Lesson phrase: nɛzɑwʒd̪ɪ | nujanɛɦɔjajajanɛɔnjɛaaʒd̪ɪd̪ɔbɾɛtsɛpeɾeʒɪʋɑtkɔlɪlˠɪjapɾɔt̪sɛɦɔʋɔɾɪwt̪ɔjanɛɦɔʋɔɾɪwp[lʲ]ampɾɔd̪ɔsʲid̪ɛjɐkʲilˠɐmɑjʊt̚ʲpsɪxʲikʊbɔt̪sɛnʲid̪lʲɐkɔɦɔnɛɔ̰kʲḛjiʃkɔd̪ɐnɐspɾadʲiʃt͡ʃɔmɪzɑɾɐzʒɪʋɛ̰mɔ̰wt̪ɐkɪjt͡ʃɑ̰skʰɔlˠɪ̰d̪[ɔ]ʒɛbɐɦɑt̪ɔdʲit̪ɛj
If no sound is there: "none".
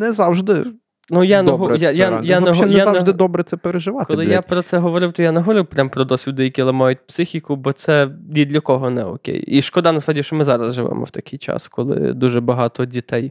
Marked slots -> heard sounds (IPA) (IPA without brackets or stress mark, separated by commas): ɾʲ, u